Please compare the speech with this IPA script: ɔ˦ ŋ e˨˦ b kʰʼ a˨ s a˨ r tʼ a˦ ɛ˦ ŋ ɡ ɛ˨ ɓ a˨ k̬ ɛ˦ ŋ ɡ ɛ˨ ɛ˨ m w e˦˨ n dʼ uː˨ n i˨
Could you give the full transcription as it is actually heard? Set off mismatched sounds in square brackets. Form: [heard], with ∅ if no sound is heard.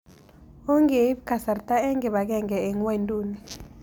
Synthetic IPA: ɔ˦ ŋ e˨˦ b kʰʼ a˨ s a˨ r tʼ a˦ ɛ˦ ŋ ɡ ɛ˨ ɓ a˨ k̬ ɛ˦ ŋ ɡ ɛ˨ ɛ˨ [ŋ] w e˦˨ n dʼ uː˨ n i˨